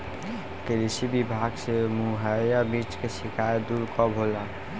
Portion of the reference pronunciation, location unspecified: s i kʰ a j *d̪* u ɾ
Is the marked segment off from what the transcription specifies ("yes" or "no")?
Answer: no